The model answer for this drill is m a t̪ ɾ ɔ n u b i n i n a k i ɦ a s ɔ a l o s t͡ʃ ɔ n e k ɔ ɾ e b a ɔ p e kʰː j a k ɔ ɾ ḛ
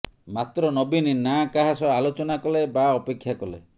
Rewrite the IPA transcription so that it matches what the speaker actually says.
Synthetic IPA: m a t̪ ɾ ɔ n ɔ b i n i n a k a ɦ a s ɔ a l o t͡ʃ ɔ n a k ɔ l e b a ɔ p e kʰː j a k ɔ l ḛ